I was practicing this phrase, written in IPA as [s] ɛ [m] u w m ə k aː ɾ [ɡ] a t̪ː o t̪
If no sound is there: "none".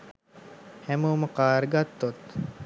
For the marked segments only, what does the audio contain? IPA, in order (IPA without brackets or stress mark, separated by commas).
h, m, ɡ